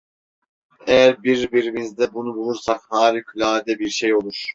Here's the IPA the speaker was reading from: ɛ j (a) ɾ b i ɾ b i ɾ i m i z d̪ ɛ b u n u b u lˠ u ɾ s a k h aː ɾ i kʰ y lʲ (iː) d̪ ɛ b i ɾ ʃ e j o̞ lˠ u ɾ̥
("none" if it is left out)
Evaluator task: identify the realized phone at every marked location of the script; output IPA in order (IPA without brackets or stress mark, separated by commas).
æ, aː